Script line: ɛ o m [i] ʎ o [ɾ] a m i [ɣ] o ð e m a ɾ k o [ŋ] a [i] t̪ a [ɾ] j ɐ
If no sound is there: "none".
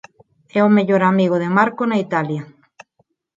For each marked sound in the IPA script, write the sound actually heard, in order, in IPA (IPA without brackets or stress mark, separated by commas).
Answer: e, ɾ, ɣ, n, i, l